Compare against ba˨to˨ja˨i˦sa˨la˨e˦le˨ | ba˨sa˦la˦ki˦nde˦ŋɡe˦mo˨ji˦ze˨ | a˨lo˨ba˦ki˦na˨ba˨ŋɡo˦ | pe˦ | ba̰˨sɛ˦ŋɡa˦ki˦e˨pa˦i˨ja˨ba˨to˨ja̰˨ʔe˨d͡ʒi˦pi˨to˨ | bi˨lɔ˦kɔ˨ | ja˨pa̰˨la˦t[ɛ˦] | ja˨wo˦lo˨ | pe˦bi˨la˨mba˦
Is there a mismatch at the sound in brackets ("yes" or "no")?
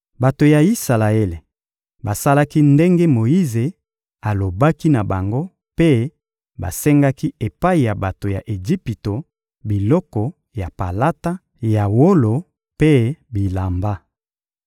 yes